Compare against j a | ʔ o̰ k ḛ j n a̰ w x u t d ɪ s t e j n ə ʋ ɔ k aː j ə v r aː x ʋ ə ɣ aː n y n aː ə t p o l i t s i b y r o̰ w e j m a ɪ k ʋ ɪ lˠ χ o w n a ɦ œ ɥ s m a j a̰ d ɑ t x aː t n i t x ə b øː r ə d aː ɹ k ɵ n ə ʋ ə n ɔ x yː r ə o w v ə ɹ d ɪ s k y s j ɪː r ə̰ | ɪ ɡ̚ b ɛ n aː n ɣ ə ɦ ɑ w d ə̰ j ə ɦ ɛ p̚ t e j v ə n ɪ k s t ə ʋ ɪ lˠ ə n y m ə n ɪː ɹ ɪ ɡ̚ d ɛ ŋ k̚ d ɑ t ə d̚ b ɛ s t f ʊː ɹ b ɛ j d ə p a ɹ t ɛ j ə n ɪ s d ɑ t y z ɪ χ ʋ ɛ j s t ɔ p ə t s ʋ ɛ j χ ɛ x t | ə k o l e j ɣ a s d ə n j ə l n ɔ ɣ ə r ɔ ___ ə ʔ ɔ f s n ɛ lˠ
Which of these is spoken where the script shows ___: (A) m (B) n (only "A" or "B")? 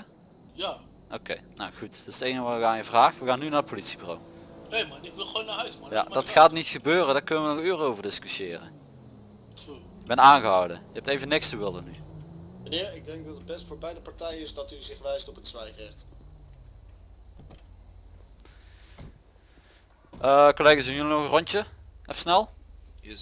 B